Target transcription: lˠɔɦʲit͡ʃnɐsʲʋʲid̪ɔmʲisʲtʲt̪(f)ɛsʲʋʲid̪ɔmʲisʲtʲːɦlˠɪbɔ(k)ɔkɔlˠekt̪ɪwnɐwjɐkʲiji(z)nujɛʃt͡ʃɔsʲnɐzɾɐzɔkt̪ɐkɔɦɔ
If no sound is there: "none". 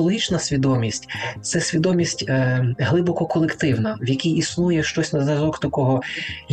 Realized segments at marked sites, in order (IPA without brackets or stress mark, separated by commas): s, k, s